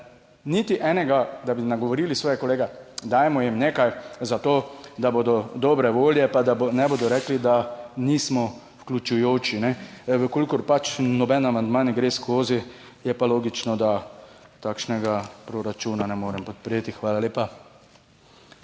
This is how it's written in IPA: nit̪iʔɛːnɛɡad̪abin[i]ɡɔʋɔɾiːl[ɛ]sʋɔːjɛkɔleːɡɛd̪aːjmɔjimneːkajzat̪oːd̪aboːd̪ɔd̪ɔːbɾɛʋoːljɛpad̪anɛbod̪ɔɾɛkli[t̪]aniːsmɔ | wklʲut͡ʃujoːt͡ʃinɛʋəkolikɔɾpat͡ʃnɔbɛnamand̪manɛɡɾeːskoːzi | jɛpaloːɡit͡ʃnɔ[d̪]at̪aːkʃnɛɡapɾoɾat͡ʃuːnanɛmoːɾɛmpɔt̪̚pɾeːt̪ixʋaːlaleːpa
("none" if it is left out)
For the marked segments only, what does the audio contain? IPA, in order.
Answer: a, i, d̪, d̪

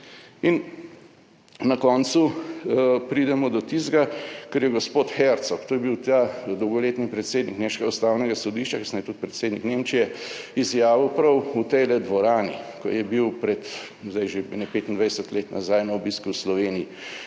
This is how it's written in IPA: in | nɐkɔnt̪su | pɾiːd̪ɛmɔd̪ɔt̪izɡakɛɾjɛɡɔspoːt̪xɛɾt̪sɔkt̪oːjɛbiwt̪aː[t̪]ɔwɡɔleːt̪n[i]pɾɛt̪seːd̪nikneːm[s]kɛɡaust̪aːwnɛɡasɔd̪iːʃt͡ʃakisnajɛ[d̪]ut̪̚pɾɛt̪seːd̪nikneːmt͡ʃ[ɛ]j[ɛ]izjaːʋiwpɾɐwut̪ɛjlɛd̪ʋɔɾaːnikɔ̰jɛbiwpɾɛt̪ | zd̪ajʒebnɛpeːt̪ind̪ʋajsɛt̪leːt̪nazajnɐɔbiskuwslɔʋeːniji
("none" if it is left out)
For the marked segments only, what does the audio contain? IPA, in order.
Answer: d̪, i, ʃ, t̪, i, ɛ

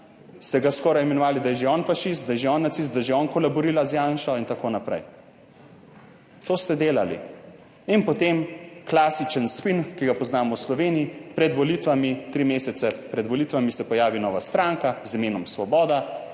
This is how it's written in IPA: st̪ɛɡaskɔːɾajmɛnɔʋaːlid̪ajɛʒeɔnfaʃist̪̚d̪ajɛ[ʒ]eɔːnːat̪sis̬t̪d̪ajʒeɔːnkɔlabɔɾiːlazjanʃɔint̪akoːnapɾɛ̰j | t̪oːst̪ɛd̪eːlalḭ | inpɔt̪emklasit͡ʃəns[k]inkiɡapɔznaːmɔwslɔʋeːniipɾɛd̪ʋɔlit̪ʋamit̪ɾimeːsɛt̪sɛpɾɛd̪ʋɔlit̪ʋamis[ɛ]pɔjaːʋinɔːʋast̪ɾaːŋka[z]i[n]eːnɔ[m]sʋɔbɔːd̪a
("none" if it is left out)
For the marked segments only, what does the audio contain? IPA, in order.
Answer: ʒ, p, ɛ, z, m, m

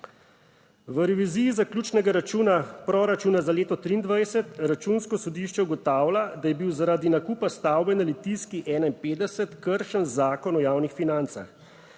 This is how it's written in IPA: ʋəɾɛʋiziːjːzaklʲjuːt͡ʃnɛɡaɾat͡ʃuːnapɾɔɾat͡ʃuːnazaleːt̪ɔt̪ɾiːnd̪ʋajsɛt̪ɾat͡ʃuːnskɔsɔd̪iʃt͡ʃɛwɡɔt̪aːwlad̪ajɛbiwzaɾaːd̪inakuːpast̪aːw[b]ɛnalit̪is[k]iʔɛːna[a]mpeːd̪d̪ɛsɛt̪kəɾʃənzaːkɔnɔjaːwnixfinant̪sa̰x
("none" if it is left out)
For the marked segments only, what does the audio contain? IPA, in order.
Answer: b, k, i

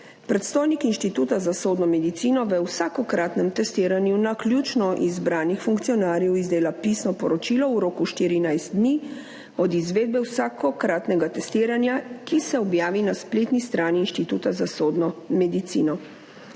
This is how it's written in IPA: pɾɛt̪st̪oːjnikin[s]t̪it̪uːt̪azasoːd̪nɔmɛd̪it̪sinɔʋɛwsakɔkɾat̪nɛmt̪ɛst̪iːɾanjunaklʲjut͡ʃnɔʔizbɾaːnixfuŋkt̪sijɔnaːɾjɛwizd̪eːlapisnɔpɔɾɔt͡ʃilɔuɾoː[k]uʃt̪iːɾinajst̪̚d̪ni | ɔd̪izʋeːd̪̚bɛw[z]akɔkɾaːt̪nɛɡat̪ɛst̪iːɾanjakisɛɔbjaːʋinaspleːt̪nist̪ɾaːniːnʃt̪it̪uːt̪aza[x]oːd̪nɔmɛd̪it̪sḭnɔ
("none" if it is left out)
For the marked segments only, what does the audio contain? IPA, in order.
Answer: ʃ, k, s, s

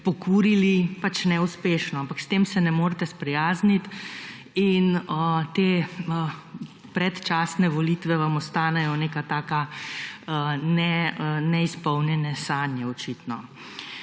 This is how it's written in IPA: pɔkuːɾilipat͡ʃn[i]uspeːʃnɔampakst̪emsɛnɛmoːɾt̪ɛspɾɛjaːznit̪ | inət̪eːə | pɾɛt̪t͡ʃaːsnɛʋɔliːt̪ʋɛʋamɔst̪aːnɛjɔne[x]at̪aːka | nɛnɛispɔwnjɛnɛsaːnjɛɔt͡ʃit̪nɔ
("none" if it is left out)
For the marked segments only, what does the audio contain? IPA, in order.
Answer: ɛ, k

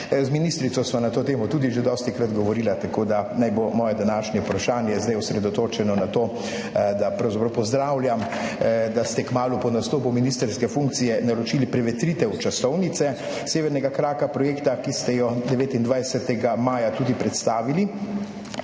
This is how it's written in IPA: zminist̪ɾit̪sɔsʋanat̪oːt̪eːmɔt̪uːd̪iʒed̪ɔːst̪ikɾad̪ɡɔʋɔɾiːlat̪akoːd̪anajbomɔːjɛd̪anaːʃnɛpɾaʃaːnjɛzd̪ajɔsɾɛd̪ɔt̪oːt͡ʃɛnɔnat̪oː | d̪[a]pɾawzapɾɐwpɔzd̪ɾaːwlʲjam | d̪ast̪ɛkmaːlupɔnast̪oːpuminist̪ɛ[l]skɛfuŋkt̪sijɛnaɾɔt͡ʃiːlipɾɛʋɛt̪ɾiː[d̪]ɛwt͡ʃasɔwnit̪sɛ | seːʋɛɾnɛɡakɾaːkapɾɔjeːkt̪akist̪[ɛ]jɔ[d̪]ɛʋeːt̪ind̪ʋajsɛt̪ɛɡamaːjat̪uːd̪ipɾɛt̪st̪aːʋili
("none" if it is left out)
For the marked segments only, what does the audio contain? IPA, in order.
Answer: a, ɾ, t̪, ɛ, d̪

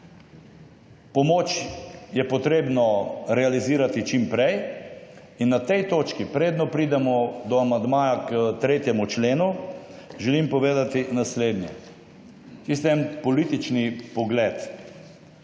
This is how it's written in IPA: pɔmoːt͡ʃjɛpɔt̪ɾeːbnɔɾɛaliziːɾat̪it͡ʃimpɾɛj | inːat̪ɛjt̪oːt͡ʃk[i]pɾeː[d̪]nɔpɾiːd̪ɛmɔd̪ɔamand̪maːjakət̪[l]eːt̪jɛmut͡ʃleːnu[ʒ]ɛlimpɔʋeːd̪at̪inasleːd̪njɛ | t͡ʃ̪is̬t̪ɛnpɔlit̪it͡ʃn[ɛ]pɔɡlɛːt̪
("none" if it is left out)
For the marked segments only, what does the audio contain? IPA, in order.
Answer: i, d̪, ɾ, ʒ, i

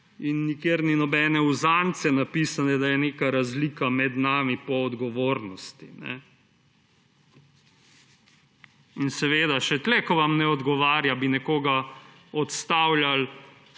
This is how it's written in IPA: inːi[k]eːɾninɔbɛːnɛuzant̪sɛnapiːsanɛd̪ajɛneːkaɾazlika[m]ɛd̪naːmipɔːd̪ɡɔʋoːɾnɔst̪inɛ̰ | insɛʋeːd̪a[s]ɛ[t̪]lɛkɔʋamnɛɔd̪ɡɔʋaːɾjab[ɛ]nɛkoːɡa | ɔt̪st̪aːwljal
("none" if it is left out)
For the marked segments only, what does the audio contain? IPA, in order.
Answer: k, m, ʃ, t̪, i

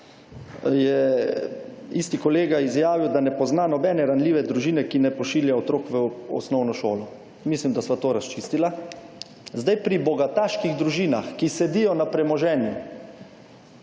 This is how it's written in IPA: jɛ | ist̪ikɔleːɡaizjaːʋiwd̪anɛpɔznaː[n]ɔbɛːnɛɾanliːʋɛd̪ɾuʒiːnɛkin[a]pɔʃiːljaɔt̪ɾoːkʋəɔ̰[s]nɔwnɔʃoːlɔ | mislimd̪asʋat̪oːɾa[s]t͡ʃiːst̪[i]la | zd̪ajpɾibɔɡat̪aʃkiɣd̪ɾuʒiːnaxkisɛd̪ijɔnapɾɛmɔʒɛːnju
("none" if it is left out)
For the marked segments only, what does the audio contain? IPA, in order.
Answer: n, ɛ, s, s, i

